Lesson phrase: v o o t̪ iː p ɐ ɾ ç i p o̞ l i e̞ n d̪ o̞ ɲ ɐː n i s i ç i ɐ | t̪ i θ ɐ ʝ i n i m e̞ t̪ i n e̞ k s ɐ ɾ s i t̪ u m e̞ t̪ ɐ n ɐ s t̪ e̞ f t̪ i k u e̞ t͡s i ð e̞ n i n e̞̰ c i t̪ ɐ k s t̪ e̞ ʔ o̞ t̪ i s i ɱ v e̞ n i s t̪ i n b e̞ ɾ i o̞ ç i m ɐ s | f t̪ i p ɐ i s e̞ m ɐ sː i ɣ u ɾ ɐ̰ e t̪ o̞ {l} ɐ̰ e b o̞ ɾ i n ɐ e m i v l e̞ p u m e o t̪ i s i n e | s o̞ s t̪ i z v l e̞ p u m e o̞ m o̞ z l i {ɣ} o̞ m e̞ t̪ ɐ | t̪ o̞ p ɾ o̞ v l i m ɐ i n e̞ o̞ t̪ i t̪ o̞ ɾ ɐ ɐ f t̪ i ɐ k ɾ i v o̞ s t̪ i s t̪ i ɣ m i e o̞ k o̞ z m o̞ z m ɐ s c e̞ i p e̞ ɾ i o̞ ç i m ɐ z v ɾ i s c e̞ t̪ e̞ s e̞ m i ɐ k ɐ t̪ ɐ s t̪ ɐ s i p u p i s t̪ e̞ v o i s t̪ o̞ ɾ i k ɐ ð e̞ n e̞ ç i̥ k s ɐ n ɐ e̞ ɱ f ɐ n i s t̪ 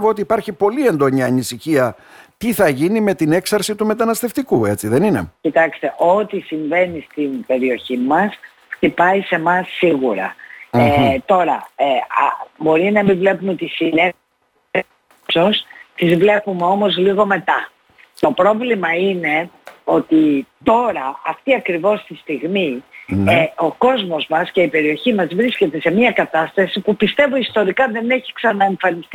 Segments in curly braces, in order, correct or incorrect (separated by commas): incorrect, correct